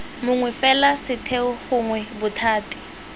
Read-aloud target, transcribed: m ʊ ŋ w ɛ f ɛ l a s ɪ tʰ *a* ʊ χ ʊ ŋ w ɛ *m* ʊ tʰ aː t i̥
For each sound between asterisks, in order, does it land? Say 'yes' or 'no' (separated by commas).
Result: no, no